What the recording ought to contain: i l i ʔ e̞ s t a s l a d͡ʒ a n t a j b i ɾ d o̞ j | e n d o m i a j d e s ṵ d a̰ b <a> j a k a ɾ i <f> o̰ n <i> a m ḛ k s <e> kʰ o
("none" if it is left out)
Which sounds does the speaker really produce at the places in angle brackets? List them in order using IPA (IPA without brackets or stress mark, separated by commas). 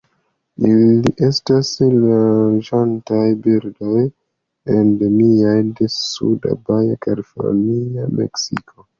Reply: a, f, i, i